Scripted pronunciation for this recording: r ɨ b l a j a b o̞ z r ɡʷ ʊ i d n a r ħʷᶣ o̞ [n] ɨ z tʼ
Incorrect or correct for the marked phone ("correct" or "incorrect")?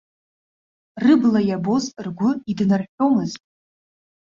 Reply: incorrect